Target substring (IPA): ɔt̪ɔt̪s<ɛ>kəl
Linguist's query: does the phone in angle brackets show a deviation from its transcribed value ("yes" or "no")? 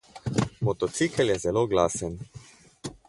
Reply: yes